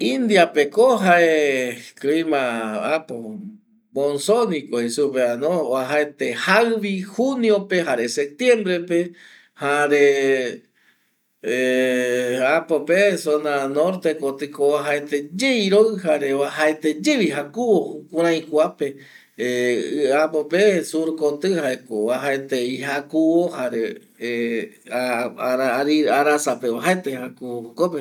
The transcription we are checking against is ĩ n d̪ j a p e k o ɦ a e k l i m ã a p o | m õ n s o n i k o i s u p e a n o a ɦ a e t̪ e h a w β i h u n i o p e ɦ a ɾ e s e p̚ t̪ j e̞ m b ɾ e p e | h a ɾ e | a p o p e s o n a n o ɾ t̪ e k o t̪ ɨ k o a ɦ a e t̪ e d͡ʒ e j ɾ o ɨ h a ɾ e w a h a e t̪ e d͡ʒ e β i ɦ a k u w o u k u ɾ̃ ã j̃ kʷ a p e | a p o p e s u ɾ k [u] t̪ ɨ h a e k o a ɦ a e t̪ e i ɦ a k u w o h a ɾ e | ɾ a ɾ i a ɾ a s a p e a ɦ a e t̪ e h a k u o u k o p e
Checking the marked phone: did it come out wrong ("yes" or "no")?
yes